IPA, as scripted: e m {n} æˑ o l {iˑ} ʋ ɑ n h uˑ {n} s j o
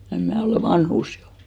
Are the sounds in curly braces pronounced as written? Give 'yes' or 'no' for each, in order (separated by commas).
no, no, no